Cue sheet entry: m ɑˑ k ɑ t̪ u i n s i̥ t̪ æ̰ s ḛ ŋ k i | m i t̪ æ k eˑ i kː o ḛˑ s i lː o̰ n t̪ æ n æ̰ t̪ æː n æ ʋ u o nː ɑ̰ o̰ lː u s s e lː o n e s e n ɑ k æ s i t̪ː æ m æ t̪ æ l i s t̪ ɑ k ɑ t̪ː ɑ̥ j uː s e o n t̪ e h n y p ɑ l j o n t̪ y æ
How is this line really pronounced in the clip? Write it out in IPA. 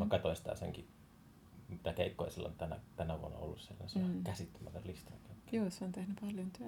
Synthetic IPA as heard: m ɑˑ k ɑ t̪ o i n s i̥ t̪ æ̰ s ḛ ŋ k i | m i t̪ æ k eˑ i kː o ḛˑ s i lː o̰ n t̪ æ n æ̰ t̪ æ n æ ʋ u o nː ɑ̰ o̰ lː u s s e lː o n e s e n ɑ k æ s i t̪ː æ m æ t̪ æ l i s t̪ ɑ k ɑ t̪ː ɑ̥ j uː s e o n t̪ e h n y p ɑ l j o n t̪ y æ